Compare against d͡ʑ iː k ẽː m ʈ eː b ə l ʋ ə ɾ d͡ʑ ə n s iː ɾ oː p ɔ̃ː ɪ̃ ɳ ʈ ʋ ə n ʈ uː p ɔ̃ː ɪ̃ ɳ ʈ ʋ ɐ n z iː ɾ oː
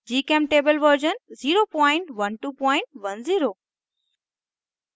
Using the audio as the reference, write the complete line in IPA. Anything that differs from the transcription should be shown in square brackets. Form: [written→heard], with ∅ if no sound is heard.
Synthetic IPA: d͡ʑ iː k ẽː m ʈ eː b ə l ʋ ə ɾ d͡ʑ ə n [s→z] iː ɾ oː p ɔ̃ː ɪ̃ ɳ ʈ ʋ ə n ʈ uː p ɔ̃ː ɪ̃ ɳ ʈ ʋ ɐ n z iː ɾ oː